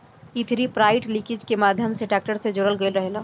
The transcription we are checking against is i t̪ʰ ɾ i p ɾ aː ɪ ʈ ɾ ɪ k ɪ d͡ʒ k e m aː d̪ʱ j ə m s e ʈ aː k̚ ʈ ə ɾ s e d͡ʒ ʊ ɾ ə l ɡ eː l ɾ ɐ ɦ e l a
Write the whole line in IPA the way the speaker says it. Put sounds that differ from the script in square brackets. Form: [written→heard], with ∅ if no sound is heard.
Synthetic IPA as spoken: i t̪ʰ ɾ i p ɾ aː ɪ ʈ [ɾ→l] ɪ k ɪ d͡ʒ k e m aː d̪ʱ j ə m s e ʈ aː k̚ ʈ ə ɾ s e d͡ʒ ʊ ɾ ə l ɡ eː l ɾ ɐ ɦ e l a